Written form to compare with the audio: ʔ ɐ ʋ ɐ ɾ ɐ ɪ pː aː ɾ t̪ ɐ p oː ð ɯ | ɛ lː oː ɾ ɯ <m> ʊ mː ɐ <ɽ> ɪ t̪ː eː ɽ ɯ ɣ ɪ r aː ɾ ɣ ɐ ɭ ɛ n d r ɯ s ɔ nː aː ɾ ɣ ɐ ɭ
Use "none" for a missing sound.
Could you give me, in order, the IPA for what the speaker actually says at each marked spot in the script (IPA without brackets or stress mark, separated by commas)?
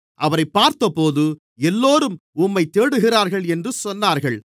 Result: m, none